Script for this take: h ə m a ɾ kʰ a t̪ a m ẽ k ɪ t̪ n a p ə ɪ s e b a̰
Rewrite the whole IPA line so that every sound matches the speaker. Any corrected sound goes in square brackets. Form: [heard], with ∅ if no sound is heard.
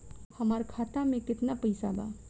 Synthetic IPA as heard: h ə m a ɾ kʰ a t̪ a m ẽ k ɪ t̪ n a p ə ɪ s [a] b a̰